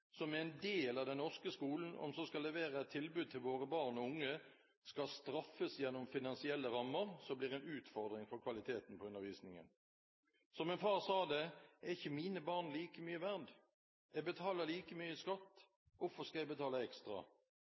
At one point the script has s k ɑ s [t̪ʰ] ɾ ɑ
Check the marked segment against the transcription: incorrect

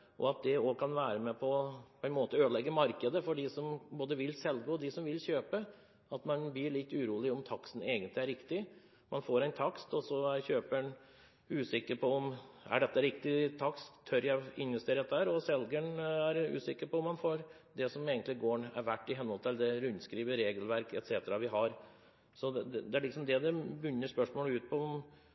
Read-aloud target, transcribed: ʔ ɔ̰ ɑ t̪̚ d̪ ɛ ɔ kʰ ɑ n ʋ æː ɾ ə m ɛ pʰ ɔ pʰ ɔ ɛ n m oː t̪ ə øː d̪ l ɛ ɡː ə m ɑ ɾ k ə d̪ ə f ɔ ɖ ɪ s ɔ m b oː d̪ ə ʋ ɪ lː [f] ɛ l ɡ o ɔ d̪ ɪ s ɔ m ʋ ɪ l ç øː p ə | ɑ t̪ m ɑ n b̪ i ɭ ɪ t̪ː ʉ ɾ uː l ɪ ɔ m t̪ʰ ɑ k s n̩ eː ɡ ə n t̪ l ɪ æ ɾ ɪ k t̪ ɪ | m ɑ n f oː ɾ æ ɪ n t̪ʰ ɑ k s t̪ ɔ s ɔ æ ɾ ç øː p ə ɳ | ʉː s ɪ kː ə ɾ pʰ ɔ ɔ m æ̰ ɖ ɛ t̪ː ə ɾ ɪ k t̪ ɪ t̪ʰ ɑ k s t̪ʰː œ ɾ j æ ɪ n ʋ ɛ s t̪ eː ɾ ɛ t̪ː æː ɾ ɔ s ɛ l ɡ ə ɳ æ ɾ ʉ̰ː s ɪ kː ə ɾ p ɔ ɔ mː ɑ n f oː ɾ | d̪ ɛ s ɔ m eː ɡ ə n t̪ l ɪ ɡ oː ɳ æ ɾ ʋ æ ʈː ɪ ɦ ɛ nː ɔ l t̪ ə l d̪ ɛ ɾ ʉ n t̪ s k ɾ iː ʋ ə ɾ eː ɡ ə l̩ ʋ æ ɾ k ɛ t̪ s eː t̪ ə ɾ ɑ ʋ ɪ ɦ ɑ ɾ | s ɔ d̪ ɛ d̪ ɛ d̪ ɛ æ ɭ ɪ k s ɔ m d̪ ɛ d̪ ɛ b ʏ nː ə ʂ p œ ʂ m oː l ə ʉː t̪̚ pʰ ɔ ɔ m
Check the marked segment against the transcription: incorrect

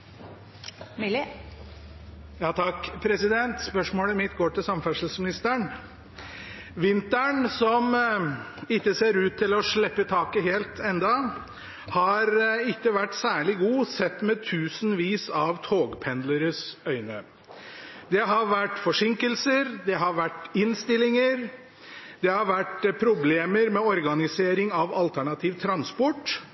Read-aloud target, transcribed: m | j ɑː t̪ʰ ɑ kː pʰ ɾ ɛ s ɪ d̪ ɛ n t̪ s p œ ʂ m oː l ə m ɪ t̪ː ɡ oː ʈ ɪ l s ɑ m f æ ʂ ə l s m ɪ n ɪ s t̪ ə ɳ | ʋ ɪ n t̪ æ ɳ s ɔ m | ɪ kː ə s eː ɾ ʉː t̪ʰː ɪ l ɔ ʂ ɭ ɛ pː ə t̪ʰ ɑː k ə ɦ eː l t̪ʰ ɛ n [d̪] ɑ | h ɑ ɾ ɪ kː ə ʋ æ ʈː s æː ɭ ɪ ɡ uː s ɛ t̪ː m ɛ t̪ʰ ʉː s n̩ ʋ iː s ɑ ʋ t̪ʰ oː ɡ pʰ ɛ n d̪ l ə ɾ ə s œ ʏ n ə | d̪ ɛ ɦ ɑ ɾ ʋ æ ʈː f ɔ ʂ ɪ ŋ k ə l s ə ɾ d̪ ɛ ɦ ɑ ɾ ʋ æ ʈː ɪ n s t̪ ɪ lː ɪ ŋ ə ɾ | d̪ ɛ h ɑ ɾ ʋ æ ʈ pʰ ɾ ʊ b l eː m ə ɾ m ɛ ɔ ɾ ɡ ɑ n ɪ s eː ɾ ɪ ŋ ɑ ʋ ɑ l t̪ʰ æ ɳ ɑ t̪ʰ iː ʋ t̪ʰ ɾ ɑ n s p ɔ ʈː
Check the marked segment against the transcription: correct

